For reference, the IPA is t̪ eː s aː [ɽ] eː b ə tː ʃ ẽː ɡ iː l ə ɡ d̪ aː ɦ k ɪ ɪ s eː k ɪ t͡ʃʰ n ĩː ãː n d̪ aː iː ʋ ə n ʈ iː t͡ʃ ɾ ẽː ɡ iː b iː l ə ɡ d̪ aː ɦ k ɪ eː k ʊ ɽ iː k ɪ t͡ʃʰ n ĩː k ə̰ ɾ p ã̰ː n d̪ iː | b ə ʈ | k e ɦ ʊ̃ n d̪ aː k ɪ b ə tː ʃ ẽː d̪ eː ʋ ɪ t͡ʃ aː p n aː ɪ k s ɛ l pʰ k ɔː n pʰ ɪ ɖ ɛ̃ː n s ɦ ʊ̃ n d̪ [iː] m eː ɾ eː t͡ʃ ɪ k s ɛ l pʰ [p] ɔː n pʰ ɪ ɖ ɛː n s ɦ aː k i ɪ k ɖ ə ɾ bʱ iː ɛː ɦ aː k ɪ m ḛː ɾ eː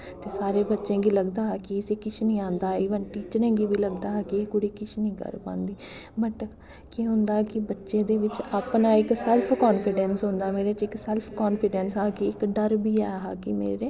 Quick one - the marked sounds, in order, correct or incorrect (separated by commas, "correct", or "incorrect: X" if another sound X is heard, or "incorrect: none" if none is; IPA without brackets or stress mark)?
incorrect: ɾ, incorrect: aː, incorrect: k